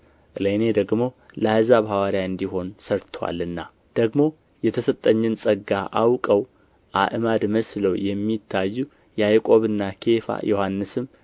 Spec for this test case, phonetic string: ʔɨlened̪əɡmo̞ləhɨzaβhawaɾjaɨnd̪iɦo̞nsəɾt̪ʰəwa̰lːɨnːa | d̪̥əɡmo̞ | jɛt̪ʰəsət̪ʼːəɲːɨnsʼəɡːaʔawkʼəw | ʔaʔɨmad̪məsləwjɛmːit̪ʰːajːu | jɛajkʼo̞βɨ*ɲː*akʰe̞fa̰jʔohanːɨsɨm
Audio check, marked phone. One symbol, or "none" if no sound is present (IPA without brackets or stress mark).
nː